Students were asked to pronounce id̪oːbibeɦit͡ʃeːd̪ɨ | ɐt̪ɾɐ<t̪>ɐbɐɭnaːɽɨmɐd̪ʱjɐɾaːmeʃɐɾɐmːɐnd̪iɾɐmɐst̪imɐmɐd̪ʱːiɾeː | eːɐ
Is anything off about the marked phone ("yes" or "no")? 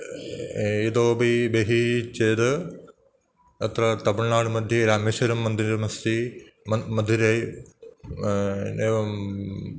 no